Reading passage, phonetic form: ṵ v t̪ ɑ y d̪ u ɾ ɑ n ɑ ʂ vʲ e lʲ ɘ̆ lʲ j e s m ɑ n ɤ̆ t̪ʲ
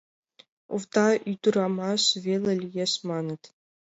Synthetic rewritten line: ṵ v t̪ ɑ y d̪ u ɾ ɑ m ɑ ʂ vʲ e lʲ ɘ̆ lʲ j e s m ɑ n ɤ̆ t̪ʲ